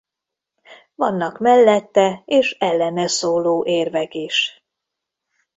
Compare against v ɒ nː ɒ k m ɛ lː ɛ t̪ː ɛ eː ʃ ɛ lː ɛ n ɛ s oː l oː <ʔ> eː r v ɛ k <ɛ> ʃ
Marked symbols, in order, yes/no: yes, no

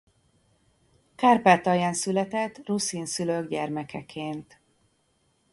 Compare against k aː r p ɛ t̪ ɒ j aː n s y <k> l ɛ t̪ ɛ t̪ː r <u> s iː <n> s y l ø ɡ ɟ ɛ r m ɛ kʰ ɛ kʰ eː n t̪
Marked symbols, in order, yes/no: no, yes, yes

